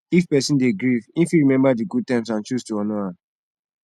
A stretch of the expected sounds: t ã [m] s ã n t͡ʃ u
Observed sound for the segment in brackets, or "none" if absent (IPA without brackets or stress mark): m